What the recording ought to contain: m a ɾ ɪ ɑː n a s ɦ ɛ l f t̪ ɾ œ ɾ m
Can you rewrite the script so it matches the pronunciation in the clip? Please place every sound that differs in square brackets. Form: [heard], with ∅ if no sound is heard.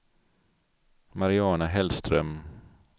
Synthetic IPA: m a ɾ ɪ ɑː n a [∅] ɦ ɛ l [s] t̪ ɾ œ [∅] m